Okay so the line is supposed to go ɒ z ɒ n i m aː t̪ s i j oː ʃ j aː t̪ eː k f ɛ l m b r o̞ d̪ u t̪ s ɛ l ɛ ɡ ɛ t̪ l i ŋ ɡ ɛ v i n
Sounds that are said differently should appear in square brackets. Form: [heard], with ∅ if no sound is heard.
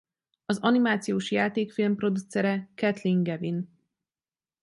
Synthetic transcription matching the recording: ɒ z ɒ n i m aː t̪ s i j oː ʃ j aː t̪ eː k f [i] l m [p] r o̞ d̪ u t̪ s ɛ [ɾ] ɛ [k] ɛ t̪ l i ŋ ɡ ɛ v i n